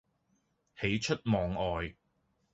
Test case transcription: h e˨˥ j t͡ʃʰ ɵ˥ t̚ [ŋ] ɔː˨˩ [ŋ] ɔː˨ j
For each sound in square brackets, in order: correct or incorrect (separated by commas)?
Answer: incorrect, correct